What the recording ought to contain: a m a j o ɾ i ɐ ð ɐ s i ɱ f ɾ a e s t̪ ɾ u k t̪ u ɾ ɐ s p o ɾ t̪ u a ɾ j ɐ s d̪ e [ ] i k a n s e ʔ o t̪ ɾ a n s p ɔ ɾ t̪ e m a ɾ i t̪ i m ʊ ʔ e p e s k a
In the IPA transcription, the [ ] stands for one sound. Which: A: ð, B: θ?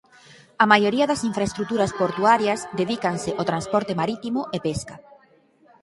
A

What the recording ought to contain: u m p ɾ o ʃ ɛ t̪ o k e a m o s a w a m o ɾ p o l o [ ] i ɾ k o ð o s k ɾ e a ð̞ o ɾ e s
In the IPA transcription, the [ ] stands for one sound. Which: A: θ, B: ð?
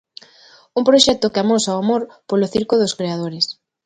A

